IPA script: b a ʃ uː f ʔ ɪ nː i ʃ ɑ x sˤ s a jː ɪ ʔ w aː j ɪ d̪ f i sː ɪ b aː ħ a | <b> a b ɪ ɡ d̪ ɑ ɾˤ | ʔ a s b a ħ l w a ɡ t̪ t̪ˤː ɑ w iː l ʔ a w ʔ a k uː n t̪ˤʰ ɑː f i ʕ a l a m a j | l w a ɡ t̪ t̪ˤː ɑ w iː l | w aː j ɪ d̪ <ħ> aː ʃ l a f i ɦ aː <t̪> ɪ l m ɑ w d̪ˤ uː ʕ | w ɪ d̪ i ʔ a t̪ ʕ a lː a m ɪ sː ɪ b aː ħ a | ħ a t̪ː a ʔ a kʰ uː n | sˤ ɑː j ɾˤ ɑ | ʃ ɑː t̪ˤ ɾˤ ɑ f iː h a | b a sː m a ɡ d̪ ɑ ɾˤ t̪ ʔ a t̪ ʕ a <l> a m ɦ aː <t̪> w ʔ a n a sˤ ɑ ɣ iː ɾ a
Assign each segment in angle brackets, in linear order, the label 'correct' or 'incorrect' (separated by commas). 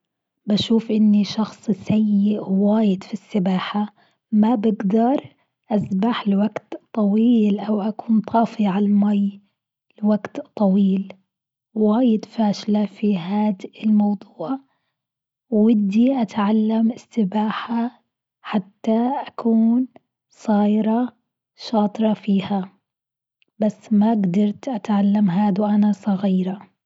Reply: incorrect, incorrect, incorrect, incorrect, incorrect